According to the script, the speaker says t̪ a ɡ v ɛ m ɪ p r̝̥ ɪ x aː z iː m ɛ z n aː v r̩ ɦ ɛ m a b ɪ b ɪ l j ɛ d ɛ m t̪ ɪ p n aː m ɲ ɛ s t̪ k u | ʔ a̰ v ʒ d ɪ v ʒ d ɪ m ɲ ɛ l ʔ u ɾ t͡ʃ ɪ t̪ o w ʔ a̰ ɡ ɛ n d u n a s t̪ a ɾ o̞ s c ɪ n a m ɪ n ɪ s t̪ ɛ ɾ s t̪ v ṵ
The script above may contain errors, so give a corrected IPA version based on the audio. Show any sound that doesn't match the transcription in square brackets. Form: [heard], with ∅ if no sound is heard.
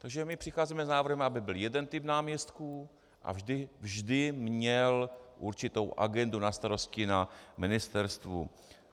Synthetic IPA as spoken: t̪ a ɡ [ʒ] ɛ m ɪ p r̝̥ ɪ x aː z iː m ɛ z n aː v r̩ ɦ ɛ m a b ɪ b ɪ l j ɛ d ɛ [n] t̪ ɪ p n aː m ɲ ɛ s t̪ k u | ʔ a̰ v ʒ d ɪ v ʒ d ɪ m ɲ ɛ l ʔ u ɾ t͡ʃ ɪ t̪ o w ʔ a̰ ɡ ɛ n d u n a s t̪ a ɾ o̞ s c ɪ n a m ɪ n ɪ s t̪ ɛ ɾ s t̪ v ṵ